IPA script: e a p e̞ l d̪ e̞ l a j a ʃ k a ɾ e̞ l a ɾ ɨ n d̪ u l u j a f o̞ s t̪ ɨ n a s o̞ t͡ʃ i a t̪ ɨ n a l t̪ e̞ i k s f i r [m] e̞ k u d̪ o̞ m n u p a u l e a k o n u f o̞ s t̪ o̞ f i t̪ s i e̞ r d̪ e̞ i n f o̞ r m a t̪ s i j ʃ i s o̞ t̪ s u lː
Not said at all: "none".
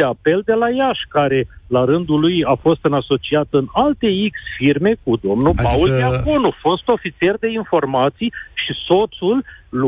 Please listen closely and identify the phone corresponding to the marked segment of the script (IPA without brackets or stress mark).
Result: m